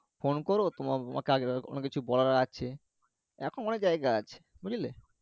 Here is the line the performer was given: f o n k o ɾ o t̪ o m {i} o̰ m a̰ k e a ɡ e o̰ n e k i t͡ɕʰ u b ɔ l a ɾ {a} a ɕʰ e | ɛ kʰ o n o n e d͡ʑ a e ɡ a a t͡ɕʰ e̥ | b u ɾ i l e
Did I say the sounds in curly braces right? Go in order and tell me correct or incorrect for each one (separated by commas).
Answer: incorrect, correct